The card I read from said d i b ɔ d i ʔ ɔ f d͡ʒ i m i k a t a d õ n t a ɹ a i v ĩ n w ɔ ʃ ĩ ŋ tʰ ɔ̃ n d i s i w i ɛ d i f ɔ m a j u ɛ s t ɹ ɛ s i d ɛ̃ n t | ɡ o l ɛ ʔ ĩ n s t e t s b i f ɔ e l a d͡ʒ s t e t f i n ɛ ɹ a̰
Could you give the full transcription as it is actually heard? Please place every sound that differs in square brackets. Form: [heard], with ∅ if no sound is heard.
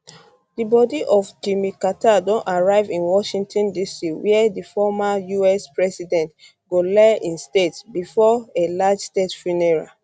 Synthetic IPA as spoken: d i b ɔ d i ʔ ɔ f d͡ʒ i m i k a t a d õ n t a ɹ a [ɪ] v ĩ n w ɔ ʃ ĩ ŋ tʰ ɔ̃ n d i s i w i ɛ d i f ɔ m a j u ɛ s [p] ɹ ɛ s i d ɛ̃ n t | ɡ o l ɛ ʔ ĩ n s t e t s b i f ɔ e l a d͡ʒ s t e t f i n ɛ ɹ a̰